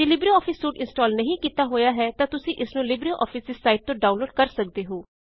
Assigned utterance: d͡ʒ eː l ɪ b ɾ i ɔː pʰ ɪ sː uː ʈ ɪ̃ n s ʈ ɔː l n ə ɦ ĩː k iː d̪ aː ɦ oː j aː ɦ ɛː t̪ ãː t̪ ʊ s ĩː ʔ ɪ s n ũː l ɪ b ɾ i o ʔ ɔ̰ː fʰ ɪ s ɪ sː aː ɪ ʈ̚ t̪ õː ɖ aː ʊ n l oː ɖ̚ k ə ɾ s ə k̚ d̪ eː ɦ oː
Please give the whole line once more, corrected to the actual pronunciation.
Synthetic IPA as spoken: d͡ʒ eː l ɪ b ɾ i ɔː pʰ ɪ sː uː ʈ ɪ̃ n s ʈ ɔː l n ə ɦ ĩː k iː t̪ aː ɦ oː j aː ɦ ɛː t̪ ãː t̪ ʊ s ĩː ʔ ɪ s n ũː l ɪ b ɾ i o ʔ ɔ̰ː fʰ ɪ s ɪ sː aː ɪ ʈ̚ t̪ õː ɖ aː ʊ n l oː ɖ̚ k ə ɾ s ə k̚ d̪ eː ɦ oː